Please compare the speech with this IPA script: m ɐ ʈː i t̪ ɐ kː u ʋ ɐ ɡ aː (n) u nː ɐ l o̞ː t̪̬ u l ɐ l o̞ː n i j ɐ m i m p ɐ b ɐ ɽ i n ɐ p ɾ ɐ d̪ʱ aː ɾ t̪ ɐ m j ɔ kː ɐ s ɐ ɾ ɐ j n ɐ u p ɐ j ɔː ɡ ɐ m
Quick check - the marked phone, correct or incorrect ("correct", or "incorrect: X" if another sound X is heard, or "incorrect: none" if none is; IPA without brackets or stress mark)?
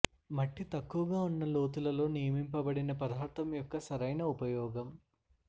incorrect: none